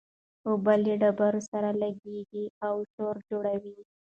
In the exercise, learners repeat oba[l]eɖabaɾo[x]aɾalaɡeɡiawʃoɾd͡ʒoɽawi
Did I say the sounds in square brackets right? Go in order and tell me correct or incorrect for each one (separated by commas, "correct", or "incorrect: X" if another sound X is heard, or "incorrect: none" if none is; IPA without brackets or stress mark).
correct, incorrect: s